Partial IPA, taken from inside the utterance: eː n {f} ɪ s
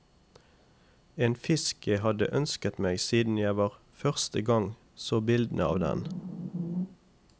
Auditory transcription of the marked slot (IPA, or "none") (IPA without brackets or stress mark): f